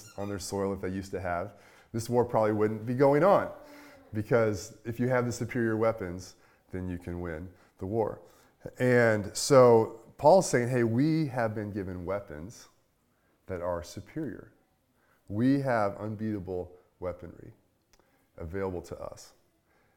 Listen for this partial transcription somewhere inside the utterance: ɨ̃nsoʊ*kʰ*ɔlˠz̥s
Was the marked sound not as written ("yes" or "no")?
yes